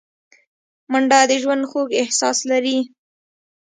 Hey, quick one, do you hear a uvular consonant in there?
no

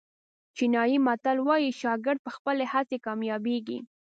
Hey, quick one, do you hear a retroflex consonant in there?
no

